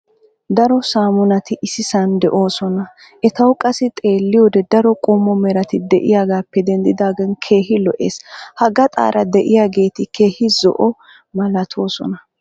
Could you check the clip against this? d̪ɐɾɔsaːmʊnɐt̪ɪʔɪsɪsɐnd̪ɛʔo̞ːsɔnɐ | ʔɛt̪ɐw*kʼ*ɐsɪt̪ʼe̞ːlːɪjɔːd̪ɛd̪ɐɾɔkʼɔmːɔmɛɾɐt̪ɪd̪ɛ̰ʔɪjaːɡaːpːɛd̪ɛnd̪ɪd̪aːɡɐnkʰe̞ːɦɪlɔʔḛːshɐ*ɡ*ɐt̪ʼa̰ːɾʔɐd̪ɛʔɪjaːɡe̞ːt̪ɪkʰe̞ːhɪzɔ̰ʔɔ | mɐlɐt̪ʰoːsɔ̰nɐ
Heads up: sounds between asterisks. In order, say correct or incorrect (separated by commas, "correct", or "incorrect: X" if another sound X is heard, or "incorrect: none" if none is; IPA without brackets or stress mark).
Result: correct, correct